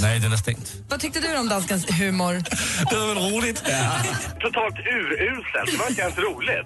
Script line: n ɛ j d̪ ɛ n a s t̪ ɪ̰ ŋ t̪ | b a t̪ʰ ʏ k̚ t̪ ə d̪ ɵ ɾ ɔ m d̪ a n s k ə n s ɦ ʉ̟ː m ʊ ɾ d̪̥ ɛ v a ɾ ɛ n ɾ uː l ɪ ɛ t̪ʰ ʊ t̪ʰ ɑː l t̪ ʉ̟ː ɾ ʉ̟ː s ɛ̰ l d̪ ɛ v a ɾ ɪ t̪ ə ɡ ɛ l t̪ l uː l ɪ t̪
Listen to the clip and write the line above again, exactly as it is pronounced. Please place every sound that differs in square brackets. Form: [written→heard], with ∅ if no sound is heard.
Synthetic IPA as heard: n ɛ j d̪ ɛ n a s t̪ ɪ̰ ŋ t̪ | [b→v] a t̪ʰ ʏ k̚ t̪ ə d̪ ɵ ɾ ɔ m d̪ a n s k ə n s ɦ ʉ̟ː m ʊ ɾ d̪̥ ɛ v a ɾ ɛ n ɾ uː l ɪ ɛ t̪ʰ ʊ t̪ʰ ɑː l t̪ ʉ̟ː ɾ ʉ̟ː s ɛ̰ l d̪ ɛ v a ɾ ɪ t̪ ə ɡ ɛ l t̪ [l→ɾ] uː l ɪ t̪